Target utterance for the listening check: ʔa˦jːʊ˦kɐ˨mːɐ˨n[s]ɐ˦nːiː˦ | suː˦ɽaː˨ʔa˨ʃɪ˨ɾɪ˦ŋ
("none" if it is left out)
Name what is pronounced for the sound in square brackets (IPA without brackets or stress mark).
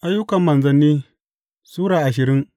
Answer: z